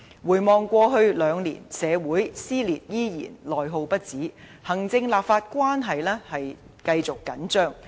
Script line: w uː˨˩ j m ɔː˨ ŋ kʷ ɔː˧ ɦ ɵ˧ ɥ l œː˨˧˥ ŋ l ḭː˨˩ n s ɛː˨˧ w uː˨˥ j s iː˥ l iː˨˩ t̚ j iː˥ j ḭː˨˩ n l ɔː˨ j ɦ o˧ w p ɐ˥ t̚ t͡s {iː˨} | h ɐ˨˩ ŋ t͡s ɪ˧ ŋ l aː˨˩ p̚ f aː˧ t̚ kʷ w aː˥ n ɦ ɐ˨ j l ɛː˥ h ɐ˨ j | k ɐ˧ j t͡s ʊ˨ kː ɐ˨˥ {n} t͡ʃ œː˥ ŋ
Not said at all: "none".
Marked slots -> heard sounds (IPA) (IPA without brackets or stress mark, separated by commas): iː˨˥, n